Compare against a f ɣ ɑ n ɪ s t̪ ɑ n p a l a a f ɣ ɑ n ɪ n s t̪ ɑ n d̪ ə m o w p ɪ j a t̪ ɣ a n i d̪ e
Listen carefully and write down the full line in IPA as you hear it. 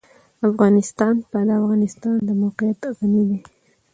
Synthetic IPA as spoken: a f ɣ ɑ n ɪ s t̪ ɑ n p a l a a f ɣ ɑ n ɪ s t̪ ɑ n d̪ ə m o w q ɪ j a t̪ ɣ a n i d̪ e